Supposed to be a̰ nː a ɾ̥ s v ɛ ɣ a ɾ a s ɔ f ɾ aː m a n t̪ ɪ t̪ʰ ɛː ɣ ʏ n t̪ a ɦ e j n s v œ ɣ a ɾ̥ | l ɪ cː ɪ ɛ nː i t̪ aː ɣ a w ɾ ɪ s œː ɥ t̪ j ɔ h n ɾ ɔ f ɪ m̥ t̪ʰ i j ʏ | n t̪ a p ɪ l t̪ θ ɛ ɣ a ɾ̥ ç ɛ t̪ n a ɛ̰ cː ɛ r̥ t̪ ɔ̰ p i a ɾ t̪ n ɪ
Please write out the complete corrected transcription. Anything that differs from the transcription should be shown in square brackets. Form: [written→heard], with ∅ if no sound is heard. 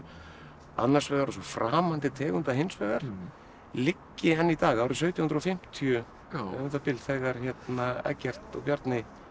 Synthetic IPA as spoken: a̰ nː a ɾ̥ s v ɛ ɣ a ɾ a s ɔ f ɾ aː m a n t̪ ɪ t̪ʰ ɛː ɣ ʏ n t̪ a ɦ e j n s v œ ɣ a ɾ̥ | l ɪ cː ɪ ɛ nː i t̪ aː ɣ a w ɾ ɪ s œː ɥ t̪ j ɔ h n ɾ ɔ f ɪ m̥ t̪ʰ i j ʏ | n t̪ a p ɪ l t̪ θ ɛ ɣ a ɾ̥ ç ɛ t̪ n a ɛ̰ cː ɛ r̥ t̪ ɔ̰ p [i→j] a ɾ t̪ n ɪ

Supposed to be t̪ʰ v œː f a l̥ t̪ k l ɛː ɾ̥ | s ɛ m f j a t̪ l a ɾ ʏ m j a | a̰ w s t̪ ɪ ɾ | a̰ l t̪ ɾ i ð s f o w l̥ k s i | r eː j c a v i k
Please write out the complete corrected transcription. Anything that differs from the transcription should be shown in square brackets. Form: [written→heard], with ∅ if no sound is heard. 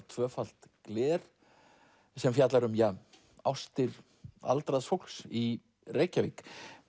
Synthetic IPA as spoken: t̪ʰ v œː f a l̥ t̪ k l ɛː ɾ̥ | s ɛ m f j a t̪ l a ɾ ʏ m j a | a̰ w s t̪ ɪ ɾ | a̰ l t̪ ɾ [i→a] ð s f o w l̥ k s i | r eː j c a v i k

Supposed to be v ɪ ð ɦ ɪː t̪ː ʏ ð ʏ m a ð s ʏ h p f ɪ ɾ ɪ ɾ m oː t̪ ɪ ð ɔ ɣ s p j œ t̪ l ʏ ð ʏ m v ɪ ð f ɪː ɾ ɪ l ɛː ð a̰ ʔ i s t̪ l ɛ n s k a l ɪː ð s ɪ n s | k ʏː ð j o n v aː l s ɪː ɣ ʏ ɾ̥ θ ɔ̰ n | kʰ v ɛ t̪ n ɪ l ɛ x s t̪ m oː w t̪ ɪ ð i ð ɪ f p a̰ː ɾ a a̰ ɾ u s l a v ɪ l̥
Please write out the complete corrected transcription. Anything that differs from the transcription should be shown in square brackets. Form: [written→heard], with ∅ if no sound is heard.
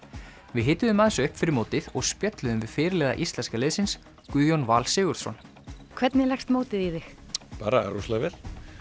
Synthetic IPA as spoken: v ɪ ð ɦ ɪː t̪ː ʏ ð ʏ m a ð s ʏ h p f ɪ ɾ ɪ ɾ m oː t̪ ɪ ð ɔ ɣ s p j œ t̪ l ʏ ð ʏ m v ɪ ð f ɪː ɾ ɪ l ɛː ð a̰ ʔ i s t̪ l ɛ n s k a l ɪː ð s ɪ n s | k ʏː ð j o n v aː l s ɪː ɣ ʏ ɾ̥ [θ→s] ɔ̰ n | kʰ v ɛ t̪ n ɪ l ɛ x s t̪ m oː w t̪ ɪ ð i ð ɪ [f→x] p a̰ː ɾ a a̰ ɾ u s l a v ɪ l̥

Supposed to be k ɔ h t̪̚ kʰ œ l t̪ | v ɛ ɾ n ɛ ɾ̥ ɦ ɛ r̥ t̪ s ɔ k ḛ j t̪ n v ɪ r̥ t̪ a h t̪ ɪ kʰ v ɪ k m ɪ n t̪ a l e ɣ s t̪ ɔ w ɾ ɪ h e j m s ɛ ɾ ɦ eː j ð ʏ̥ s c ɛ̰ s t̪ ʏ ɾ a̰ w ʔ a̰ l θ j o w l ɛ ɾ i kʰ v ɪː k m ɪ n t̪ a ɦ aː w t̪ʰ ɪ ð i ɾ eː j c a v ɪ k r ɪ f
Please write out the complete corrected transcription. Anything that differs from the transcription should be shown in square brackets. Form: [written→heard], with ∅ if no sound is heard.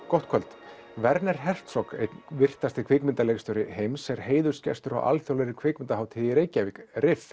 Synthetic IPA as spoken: k ɔ h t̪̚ kʰ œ l t̪ | v ɛ ɾ n ɛ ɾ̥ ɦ ɛ r̥ t̪ s ɔ k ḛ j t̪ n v ɪ r̥ t̪ a [h→s] t̪ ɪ kʰ v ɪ k m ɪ n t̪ a l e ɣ s t̪ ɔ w ɾ ɪ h e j m s ɛ ɾ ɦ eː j ð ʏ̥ s c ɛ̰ s t̪ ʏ ɾ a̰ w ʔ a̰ l θ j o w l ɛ ɾ [i→ɪ] kʰ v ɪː k m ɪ n t̪ a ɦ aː w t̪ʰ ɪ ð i ɾ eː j c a v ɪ k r ɪ f

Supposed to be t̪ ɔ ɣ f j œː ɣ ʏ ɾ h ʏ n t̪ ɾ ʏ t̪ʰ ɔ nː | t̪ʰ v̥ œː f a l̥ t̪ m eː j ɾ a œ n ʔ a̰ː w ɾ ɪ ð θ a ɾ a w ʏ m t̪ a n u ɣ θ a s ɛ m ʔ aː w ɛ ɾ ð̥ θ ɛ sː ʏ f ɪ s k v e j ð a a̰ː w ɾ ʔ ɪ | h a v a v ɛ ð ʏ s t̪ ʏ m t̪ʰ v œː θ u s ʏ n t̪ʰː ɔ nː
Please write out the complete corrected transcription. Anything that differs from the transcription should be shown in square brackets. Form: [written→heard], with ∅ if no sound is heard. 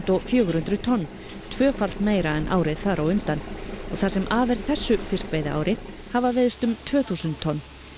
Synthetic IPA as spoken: t̪ ɔ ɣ f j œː ɣ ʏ ɾ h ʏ n t̪ ɾ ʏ t̪ʰ ɔ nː | t̪ʰ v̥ œː f a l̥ t̪ m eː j ɾ a [œ→ɛ] n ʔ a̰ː w ɾ ɪ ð θ a ɾ a w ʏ m t̪ a n [u→ɔ] ɣ θ a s ɛ m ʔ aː [w→v] ɛ ɾ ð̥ θ ɛ sː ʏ f ɪ s k v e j ð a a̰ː w ɾ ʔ ɪ | h a v a v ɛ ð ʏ s t̪ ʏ m t̪ʰ v œː θ u s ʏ n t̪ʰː ɔ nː

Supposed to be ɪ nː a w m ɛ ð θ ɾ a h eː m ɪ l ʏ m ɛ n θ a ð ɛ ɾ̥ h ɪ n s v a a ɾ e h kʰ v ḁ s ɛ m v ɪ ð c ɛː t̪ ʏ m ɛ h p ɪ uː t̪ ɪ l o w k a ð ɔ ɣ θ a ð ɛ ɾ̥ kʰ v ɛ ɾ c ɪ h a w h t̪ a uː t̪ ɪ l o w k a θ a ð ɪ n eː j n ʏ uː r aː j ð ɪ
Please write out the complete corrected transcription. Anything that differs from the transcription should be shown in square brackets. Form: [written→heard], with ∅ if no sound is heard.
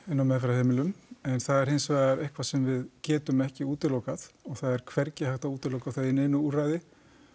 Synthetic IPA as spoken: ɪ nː a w m ɛ ð [θ→f] ɾ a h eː m ɪ l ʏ m ɛ n θ a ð ɛ ɾ̥ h ɪ n s v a a ɾ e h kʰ v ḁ s ɛ m v ɪ ð c ɛː t̪ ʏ m ɛ h [p→c] ɪ uː t̪ ɪ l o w k a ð ɔ ɣ θ a ð ɛ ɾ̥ kʰ v ɛ ɾ c ɪ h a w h t̪ a uː t̪ ɪ l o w k a θ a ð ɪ n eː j n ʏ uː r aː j ð ɪ

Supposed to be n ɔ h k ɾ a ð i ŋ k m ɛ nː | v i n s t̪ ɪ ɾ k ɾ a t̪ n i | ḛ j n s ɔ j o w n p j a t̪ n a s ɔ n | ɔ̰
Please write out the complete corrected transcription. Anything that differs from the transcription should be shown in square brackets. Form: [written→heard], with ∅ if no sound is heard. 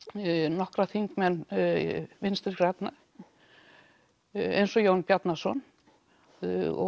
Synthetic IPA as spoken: n ɔ h k ɾ a [ð→θ] i ŋ k m ɛ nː | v [i→ɪ] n s t̪ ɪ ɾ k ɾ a t̪ n [i→a] | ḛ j n s ɔ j o w n p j a t̪ n a s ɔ n | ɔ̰

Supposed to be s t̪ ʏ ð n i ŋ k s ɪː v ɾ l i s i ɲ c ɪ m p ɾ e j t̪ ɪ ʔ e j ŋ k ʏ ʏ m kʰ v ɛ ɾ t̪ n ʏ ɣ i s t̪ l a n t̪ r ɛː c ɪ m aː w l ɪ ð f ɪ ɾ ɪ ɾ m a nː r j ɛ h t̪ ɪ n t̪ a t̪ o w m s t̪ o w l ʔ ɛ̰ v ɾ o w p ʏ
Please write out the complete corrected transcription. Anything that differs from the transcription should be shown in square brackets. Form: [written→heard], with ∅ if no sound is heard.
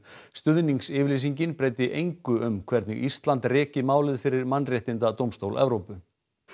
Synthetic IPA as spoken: s t̪ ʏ ð n i ŋ k s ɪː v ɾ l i s i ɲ c ɪ [m→n] p ɾ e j t̪ ɪ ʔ e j ŋ k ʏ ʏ m kʰ v ɛ ɾ t̪ n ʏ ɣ i s t̪ l a n t̪ r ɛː c ɪ m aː w l ɪ ð f ɪ ɾ ɪ ɾ m a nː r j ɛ h t̪ ɪ n t̪ a t̪ o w m s t̪ o w l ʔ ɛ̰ v ɾ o w p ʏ

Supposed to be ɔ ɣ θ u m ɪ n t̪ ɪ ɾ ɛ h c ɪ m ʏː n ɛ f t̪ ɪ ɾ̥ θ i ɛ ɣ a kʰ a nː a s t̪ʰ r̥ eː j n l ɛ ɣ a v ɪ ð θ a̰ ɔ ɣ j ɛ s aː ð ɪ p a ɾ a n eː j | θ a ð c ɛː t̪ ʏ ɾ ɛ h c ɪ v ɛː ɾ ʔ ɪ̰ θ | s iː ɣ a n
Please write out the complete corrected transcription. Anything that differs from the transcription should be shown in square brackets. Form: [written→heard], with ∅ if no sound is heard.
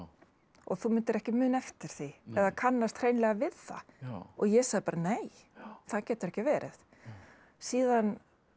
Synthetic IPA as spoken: ɔ ɣ θ u m ɪ n t̪ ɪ ɾ ɛ h c ɪ m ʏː n ɛ f t̪ ɪ ɾ̥ θ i ɛ [ɣ→ð] a kʰ a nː a s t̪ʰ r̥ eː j n l ɛ ɣ a v ɪ ð θ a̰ ɔ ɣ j ɛ s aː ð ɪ p a ɾ a n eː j | θ a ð c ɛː t̪ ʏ ɾ ɛ h c ɪ v ɛː ɾ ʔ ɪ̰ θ | s iː [ɣ→ð] a n

